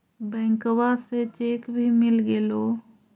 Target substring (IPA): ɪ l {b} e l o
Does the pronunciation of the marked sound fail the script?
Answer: yes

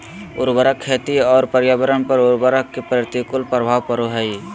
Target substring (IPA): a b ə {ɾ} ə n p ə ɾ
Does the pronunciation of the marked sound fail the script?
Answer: no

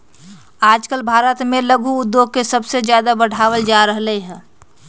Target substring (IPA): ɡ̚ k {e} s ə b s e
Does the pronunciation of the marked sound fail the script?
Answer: no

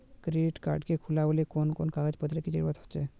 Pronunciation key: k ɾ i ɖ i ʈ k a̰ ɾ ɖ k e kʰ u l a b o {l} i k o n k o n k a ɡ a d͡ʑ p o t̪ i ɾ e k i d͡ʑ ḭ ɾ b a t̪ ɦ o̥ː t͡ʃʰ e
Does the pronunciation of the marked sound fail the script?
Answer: no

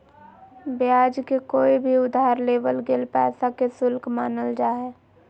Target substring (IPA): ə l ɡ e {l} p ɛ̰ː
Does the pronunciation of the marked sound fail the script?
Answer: no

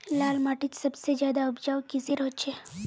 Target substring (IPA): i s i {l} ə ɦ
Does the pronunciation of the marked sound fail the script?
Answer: yes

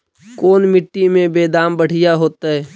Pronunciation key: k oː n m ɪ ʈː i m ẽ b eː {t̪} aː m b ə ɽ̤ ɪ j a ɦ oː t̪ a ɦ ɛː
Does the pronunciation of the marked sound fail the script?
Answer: yes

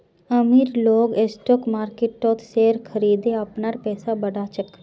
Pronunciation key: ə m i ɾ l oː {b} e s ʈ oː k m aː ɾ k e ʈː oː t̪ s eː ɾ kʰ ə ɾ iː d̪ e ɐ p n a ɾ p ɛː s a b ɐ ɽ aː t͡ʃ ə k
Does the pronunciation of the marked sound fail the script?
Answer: yes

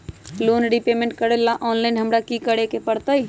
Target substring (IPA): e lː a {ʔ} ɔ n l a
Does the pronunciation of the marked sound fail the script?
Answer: no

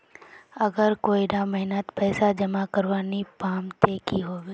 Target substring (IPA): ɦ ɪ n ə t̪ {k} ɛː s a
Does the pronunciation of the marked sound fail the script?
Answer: yes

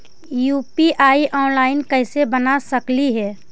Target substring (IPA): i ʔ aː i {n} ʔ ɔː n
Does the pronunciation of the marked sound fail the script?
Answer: yes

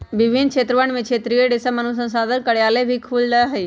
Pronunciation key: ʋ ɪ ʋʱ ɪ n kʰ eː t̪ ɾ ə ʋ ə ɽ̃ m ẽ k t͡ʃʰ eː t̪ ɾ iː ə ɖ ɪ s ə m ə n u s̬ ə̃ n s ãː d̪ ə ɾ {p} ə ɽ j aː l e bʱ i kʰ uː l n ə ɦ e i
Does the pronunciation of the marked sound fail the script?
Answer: yes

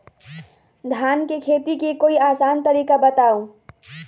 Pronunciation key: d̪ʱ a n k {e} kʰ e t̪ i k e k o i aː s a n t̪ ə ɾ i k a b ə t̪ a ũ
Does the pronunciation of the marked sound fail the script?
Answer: no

